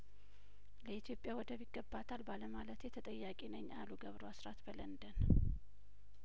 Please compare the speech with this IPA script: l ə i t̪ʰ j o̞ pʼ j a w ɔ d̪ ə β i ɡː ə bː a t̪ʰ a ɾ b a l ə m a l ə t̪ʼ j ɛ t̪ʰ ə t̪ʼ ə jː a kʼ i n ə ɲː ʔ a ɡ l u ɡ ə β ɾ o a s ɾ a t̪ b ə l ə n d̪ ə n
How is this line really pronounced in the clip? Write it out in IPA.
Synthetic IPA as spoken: l ə i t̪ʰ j o̞ pʼ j a w ɔ d̪ ə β i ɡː ə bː a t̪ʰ a l b a l ə m a l ə t̪ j ɛ t̪ʰ ə t̪ʼ ə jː a kʼ i n ə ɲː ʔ a l u ɡ ə β ɾ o a s ɾ a t̪ b ə l ə n d̪ ə n